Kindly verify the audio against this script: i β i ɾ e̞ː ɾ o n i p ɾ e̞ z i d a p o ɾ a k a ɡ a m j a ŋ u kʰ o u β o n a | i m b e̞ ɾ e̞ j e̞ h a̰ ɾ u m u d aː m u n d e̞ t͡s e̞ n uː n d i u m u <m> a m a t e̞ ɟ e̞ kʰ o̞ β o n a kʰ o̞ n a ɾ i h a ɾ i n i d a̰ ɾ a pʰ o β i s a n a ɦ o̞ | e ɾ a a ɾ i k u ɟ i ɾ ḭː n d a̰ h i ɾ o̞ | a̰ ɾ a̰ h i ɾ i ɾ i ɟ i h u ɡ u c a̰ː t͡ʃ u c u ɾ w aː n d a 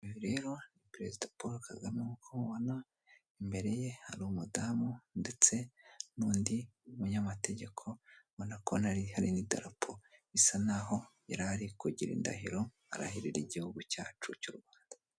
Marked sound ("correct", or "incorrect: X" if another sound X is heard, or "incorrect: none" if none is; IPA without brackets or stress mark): incorrect: ɲ